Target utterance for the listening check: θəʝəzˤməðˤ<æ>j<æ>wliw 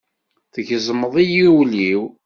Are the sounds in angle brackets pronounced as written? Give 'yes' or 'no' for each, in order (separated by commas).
no, no